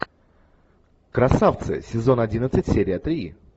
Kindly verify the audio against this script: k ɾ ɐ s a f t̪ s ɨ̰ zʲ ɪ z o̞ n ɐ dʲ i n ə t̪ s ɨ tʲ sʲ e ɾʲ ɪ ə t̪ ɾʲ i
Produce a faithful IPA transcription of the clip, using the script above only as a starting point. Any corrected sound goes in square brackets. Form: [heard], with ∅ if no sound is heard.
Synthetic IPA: k ɾ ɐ s a f t̪ s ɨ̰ [sʲ] ɪ z o̞ n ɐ dʲ i n ə t̪ s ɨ tʲ sʲ e ɾʲ ɪ ə t̪ ɾʲ i